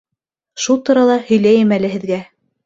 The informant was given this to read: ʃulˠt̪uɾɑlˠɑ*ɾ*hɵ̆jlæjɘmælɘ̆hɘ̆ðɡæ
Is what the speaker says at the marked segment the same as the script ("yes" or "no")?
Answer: no